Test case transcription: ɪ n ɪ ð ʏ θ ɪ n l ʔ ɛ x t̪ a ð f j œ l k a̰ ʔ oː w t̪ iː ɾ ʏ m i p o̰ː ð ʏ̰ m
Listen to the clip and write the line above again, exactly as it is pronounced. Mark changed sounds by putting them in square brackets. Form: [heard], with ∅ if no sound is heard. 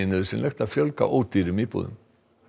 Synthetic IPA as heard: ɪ n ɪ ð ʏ [s] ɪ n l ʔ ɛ x t̪ a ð f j œ l k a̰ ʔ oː w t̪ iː ɾ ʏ m i p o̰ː ð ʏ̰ m